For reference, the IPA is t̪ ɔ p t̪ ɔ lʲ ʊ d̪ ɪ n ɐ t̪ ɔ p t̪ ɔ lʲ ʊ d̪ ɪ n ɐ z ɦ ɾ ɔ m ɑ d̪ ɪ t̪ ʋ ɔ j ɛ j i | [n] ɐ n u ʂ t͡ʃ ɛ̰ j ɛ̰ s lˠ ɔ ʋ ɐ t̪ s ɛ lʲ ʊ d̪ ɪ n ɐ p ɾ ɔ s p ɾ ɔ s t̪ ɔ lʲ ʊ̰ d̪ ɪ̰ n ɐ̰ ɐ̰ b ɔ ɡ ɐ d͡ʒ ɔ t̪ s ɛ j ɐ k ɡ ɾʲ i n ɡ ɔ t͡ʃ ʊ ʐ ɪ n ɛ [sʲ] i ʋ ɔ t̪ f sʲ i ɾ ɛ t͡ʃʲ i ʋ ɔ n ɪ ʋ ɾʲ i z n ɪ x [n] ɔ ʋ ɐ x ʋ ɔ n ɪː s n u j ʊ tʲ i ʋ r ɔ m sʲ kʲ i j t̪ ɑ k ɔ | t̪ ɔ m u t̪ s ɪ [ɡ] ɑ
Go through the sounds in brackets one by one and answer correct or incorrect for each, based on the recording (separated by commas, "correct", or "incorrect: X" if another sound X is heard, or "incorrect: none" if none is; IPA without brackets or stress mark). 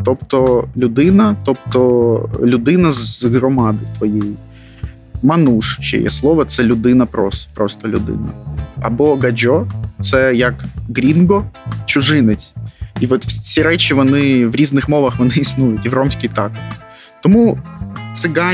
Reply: incorrect: m, incorrect: t͡sʲ, incorrect: m, correct